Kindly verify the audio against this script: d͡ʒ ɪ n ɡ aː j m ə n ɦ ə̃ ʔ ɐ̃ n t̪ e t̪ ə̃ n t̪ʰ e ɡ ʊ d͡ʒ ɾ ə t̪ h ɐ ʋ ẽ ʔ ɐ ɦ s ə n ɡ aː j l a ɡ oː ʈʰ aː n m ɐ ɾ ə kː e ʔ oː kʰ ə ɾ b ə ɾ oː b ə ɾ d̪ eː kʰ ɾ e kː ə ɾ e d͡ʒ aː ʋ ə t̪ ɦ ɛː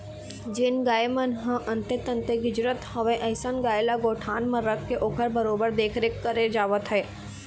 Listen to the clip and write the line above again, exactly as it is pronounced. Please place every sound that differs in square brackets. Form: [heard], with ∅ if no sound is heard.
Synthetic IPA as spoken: d͡ʒ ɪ n ɡ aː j m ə n ɦ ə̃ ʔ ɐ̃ n t̪ e t̪ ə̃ n [t̪] e ɡ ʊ d͡ʒ ɾ ə t̪ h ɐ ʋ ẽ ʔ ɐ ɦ s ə n ɡ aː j l a ɡ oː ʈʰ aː n m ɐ ɾ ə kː e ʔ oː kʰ ə ɾ b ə ɾ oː b ə ɾ d̪ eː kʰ ɾ e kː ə ɾ e d͡ʒ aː ʋ ə t̪ ɦ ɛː